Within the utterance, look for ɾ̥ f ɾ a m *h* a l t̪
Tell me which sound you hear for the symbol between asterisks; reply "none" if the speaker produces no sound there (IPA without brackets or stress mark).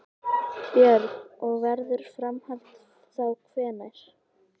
h